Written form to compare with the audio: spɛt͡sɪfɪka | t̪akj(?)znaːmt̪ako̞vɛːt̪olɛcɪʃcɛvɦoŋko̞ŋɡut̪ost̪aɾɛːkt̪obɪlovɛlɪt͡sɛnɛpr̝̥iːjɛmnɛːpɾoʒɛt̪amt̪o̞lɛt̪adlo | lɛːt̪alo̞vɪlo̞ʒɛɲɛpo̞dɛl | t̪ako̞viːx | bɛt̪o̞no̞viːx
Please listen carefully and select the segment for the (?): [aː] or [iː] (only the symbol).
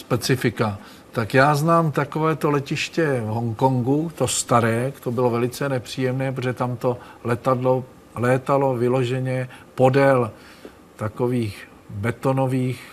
aː